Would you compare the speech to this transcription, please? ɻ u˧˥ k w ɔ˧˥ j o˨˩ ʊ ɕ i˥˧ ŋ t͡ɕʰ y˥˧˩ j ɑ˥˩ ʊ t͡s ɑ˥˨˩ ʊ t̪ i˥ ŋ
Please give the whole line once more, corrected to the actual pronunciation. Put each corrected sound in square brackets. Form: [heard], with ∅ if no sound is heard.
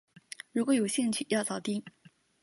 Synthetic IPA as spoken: ɻ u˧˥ k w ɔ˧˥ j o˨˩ ʊ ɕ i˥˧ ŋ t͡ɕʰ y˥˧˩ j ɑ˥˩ ʊ t͡s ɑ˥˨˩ ʊ t̪ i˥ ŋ